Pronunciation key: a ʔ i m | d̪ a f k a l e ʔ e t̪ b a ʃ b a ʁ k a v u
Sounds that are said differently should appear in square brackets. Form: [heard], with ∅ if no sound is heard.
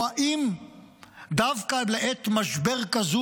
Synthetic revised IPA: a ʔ i m | d̪ a [v] k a l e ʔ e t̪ [m] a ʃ b [e] ʁ k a [z] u